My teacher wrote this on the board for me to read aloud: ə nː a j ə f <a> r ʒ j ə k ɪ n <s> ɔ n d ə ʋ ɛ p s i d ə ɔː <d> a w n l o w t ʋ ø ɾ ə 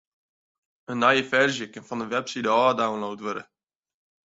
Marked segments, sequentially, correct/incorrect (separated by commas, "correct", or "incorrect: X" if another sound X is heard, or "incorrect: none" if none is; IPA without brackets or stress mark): incorrect: ɛ, incorrect: f, correct